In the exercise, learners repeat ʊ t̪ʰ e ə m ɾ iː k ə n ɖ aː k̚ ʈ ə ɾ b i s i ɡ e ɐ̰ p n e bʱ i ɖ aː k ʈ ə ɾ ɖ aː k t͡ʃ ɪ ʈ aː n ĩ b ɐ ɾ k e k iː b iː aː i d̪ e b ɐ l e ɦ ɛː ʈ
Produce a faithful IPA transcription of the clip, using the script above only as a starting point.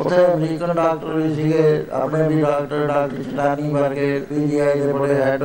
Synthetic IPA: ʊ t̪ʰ e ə m ɾ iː k ə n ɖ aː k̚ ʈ ə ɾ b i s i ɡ e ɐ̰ p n e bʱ i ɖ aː k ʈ ə ɾ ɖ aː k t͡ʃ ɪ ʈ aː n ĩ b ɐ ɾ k e p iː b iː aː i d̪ e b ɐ ɽ e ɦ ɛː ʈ